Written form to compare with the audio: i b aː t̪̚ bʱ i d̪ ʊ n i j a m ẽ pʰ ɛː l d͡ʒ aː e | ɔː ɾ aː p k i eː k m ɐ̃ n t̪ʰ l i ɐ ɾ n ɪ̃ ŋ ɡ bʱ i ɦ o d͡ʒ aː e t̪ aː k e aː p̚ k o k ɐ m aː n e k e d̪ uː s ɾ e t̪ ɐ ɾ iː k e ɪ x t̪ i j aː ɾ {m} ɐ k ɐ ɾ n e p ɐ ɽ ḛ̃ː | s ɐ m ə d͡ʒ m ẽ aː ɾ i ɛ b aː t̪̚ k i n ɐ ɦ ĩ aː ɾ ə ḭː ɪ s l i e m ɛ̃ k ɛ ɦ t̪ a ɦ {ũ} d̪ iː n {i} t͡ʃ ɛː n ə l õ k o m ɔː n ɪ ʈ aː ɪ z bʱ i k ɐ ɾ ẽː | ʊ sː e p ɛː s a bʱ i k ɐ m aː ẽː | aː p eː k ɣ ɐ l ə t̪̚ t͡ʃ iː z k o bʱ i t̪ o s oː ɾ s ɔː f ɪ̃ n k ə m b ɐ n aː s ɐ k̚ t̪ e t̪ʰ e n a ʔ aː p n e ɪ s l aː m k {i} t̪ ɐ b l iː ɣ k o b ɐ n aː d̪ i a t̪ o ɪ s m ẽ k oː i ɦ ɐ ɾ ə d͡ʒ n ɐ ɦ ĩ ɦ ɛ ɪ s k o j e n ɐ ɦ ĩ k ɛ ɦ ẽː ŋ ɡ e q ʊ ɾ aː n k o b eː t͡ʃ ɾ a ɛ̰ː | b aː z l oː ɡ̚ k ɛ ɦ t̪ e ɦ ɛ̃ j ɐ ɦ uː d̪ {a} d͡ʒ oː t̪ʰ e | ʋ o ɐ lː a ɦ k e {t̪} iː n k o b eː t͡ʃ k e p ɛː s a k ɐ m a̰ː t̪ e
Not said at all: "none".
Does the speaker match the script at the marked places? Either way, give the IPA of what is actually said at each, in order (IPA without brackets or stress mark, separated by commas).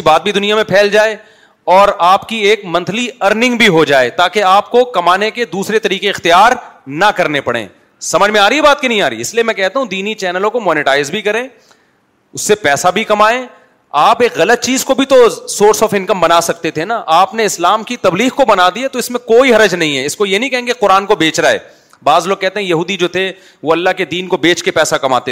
n, ũ, i, i, i, d̪